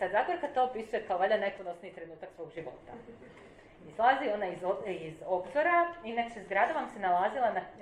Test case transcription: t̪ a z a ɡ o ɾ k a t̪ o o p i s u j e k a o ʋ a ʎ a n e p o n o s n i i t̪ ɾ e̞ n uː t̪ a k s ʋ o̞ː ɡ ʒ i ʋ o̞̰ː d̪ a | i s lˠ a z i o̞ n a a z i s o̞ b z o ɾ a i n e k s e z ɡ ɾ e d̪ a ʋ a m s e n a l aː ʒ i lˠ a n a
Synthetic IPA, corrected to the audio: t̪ a z a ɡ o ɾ k a t̪ o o p i s u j e k a o ʋ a ʎ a n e p o n o s n i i t̪ ɾ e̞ n uː t̪ a k s ʋ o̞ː ɡ ʒ i ʋ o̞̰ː t̪ a | i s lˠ a z i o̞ n a i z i z o̞ b z o ɾ a i n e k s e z ɡ ɾ a d̪ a ʋ a m s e n a l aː z i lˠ a n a